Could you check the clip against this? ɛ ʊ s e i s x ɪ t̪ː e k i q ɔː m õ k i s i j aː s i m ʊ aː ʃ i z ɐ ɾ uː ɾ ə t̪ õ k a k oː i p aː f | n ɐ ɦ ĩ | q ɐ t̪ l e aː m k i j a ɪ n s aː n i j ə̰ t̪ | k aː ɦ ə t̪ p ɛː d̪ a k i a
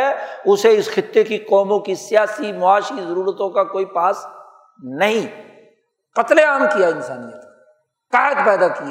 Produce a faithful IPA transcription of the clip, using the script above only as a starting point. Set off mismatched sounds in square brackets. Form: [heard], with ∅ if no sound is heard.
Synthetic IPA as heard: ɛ ʊ s e [ɪ] s x ɪ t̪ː e k i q ɔː m õ k i s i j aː s i m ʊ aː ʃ i z ɐ ɾ uː ɾ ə t̪ õ k a k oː i p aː [s] | n ɐ ɦ ĩ | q ɐ t̪ l e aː m k i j a ɪ n s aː n i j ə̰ t̪ | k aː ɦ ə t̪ p ɛː d̪ a k i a